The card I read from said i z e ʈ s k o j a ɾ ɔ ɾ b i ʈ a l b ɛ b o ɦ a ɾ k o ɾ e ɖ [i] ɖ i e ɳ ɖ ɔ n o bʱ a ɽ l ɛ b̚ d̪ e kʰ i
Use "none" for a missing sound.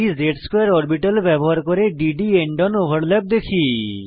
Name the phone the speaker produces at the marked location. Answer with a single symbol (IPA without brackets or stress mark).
i